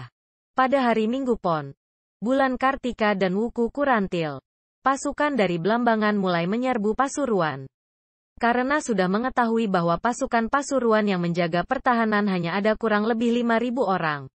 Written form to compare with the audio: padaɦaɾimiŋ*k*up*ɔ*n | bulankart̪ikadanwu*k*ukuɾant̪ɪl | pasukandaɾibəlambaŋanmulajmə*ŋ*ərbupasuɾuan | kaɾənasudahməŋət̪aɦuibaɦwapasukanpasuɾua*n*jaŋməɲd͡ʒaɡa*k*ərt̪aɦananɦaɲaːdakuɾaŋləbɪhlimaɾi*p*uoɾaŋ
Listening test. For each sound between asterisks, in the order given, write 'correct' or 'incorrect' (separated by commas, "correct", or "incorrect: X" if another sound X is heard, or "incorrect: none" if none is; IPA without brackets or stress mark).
incorrect: ɡ, correct, correct, incorrect: ɲ, correct, incorrect: p, incorrect: b